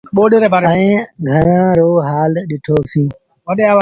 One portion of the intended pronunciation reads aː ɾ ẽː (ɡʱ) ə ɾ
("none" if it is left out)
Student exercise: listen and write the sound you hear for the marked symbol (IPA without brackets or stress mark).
ɡʱ